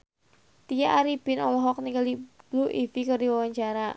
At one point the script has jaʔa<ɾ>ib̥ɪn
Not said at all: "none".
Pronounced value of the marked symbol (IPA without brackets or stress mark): ɾ